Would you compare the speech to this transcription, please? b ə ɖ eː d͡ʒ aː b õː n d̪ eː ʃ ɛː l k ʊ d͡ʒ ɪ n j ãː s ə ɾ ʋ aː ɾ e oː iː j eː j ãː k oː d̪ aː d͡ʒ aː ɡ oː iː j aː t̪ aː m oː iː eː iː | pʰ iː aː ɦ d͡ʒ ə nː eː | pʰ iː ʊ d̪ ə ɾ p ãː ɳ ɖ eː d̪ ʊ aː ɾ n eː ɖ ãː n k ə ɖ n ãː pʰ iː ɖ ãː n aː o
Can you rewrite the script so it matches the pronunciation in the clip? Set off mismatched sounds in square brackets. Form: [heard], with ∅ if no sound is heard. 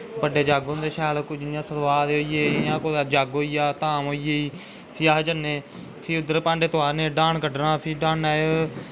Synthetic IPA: b ə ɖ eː d͡ʒ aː [ɡ] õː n d̪ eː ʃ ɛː l k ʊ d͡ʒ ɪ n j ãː s ə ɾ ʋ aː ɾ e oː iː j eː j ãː k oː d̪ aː d͡ʒ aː ɡ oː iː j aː t̪ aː m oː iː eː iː | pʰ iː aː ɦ d͡ʒ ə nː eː | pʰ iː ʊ d̪ ə ɾ p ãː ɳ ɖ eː [t̪] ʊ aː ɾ n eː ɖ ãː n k ə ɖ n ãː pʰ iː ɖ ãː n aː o